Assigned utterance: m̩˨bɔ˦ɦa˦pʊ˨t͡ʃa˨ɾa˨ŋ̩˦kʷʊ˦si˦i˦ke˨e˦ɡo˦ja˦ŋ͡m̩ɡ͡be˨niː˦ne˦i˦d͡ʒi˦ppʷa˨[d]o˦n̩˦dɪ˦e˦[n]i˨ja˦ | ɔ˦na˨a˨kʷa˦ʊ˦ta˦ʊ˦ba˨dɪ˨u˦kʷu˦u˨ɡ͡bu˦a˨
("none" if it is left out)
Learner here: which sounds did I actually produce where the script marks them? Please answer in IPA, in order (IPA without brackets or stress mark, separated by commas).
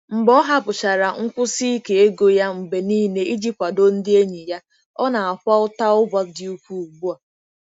d, ɲ